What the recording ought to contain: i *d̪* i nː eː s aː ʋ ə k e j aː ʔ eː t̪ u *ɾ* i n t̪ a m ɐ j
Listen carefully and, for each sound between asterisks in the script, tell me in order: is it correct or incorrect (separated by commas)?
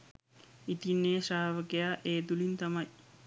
incorrect, incorrect